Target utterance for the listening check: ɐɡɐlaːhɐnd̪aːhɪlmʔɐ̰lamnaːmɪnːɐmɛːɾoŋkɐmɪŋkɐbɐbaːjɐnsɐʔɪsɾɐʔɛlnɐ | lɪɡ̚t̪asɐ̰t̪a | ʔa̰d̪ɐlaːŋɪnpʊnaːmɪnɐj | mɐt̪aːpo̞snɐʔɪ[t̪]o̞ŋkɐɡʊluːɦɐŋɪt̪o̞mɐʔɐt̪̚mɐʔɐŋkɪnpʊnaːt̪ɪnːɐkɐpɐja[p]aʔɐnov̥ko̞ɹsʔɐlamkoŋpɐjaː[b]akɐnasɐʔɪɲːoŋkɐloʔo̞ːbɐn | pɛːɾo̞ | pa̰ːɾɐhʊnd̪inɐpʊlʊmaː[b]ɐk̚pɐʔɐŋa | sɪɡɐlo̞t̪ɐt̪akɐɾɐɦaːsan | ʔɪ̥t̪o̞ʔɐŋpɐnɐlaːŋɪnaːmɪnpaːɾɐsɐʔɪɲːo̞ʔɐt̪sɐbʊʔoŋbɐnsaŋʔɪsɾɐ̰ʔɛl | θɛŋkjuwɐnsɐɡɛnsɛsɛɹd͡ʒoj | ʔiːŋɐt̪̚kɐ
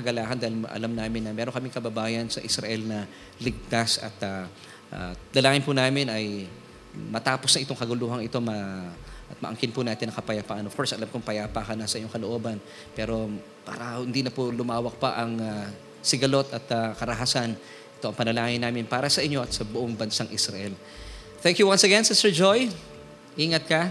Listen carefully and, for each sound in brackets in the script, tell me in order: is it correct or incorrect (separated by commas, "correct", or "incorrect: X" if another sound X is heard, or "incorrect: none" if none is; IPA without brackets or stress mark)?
correct, correct, incorrect: p, incorrect: w